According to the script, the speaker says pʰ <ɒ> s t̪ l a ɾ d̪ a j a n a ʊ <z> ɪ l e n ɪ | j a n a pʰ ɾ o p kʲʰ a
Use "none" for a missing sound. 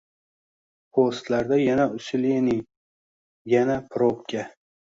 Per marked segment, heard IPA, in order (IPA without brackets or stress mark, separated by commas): o, s